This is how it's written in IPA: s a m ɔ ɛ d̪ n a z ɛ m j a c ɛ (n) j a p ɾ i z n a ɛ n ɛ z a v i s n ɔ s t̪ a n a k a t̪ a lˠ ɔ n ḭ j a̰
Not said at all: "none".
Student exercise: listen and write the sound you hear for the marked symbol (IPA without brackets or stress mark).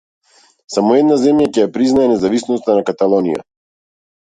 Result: none